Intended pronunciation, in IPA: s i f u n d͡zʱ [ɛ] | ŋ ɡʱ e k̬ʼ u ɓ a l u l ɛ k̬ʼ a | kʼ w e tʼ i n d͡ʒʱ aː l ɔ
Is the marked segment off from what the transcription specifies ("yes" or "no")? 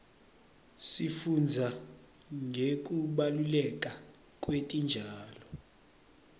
yes